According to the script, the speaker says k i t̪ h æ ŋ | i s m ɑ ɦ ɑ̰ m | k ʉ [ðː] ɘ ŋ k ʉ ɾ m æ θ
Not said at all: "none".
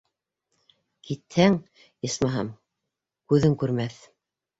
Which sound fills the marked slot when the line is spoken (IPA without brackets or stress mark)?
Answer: ð